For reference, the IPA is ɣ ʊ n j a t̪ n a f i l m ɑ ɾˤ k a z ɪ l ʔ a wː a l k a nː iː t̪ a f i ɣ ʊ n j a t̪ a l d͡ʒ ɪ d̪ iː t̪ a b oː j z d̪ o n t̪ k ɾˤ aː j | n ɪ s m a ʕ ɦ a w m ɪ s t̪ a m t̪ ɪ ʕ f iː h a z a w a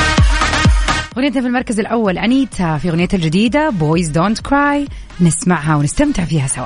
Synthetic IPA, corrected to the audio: ɣ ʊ n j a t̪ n a f i l m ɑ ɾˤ k a z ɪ l ʔ a wː a l ʔ a n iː t̪ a f i ɣ ʊ n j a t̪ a l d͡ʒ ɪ d̪ iː d̪ a b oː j z d̪ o n t̪ k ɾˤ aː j | n ɪ s m a ʕ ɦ a w n ɪ s t̪ a m t̪ ɪ ʕ f iː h a s a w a